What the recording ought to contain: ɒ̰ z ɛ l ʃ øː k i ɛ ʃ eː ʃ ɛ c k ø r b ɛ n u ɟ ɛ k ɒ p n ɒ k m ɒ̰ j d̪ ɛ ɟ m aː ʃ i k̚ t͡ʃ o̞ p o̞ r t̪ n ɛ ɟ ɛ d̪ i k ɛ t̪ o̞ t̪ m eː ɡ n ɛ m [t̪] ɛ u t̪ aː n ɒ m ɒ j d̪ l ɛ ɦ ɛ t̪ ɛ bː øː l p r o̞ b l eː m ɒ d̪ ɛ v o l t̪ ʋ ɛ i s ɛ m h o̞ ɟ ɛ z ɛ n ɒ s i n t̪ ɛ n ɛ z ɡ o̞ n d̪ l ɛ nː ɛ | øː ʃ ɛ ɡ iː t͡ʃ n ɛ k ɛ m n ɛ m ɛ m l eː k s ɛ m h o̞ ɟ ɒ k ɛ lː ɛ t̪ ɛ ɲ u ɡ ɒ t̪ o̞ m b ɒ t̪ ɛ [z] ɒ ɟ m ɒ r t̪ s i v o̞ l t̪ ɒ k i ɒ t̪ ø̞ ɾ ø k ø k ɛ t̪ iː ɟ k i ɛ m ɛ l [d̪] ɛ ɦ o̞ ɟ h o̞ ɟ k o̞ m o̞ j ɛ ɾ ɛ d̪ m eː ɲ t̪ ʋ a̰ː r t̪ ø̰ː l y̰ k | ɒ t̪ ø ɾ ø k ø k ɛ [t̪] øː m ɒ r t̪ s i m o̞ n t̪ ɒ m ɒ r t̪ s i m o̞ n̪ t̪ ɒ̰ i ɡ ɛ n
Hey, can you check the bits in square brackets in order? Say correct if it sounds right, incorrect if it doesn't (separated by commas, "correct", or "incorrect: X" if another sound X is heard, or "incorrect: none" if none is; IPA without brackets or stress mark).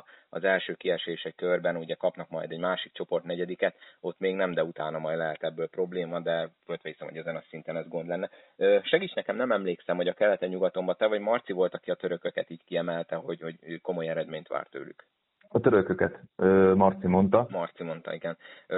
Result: incorrect: d̪, incorrect: v, incorrect: t̪, correct